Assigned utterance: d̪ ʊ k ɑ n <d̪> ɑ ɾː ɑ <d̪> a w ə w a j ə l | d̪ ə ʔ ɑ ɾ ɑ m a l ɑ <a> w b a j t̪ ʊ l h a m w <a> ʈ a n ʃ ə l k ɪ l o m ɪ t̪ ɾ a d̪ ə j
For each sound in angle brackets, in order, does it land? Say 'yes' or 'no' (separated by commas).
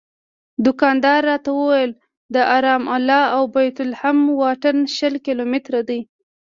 yes, no, yes, no